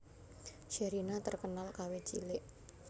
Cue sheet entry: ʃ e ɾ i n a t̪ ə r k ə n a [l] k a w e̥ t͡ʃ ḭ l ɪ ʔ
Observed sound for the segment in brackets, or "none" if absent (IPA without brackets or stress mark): l